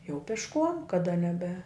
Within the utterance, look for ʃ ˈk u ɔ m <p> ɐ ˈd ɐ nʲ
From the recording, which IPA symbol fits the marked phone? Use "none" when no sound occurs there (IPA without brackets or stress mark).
k